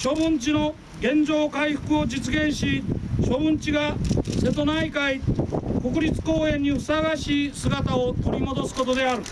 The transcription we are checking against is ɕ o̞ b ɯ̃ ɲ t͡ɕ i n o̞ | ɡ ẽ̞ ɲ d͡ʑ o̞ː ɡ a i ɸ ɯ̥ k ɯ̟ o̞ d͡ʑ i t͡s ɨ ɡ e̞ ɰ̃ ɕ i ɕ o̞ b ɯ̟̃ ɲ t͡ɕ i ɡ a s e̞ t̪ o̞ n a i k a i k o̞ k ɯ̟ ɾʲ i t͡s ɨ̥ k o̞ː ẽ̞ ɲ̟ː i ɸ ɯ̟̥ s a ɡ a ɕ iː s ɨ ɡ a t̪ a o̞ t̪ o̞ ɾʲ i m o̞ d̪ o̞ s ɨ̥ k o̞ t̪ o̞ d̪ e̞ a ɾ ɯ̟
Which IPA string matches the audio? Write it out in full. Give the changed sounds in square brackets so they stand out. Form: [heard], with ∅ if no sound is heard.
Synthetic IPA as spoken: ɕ o̞ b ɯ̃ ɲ t͡ɕ i n o̞ | ɡ ẽ̞ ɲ d͡ʑ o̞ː [k] a i ɸ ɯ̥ k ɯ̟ o̞ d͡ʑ i t͡s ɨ ɡ [ẽ̞] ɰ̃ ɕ i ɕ o̞ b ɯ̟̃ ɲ t͡ɕ i ɡ a s e̞ t̪ o̞ n a i k a i k o̞ k ɯ̟ ɾʲ i t͡s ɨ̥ k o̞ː ẽ̞ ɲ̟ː i ɸ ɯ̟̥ s a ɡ a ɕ iː s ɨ ɡ a t̪ a o̞ t̪ o̞ ɾʲ i m o̞ d̪ o̞ s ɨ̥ k o̞ t̪ o̞ d̪ e̞ a ɾ ɯ̟